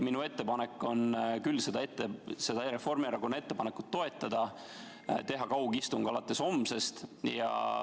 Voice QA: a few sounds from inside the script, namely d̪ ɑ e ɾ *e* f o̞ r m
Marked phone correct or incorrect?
correct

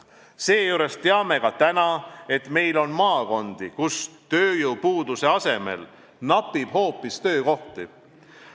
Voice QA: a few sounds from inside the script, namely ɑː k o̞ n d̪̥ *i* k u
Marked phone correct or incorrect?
correct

